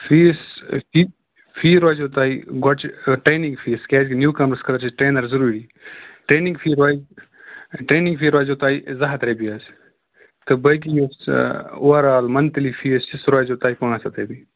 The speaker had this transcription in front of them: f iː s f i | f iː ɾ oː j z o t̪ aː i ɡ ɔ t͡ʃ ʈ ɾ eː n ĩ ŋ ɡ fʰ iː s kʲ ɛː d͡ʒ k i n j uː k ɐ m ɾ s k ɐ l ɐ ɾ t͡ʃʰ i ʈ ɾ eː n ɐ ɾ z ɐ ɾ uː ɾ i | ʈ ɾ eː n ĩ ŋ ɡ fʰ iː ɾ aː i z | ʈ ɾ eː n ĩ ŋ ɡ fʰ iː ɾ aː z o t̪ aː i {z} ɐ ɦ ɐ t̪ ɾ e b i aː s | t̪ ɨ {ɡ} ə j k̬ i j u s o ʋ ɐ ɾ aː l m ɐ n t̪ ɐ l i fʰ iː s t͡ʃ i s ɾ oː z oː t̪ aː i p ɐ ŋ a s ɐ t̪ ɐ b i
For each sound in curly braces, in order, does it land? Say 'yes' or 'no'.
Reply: yes, no

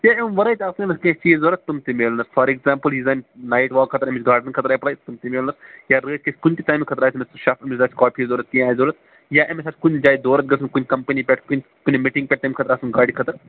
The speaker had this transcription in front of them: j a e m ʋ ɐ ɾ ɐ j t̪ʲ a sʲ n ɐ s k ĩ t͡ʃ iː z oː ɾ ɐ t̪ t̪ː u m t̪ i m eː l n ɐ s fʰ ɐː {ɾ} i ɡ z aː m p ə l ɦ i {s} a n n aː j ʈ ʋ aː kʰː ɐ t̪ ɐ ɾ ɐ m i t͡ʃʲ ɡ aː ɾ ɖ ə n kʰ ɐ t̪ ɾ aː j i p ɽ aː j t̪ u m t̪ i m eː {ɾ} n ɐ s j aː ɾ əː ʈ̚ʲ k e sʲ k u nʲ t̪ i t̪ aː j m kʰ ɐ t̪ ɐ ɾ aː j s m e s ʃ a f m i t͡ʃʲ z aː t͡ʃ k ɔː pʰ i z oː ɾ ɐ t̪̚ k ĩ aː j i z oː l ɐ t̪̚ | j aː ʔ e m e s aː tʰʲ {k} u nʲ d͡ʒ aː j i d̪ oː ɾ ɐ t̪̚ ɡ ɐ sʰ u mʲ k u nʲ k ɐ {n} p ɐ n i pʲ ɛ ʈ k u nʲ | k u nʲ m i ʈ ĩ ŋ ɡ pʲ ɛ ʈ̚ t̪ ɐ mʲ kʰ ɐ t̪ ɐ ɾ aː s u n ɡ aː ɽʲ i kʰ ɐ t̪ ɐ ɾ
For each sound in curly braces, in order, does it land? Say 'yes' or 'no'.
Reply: yes, no, no, yes, no

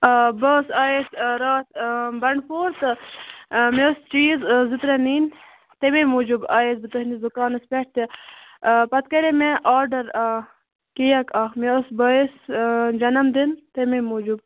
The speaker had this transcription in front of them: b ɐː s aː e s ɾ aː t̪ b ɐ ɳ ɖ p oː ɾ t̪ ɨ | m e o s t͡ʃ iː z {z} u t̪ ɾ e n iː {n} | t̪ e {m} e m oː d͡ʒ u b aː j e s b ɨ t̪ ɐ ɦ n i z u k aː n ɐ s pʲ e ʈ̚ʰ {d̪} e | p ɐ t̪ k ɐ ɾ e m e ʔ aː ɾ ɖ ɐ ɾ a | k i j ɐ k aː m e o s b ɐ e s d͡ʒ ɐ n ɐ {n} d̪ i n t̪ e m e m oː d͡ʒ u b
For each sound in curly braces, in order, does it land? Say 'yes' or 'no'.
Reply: yes, yes, yes, no, no

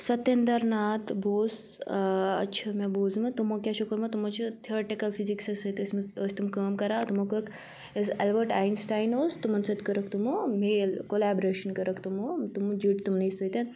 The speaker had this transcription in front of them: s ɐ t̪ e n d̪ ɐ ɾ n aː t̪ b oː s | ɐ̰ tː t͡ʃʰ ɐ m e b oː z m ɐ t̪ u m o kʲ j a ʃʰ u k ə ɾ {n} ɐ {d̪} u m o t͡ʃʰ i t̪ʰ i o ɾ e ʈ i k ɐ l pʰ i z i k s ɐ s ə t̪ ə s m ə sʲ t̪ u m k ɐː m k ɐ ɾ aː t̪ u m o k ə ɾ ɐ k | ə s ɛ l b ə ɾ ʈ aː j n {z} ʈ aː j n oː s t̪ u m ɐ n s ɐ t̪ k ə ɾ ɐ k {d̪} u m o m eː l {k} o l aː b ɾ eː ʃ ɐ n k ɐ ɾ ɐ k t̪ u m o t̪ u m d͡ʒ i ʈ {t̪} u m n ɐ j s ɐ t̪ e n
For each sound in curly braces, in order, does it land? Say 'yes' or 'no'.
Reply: no, no, no, no, yes, yes

